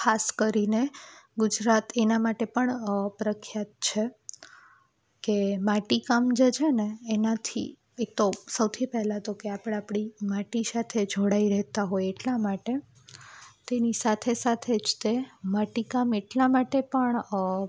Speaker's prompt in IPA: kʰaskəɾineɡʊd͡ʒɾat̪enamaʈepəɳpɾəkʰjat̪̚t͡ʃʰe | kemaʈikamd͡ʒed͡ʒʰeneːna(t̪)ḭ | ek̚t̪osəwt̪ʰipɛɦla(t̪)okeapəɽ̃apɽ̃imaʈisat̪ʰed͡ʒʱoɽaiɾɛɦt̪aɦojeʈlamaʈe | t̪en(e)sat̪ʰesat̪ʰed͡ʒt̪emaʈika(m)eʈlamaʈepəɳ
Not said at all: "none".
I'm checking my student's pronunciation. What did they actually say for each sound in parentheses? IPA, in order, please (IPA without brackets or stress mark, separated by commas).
t̪ʰ, t̪, i, m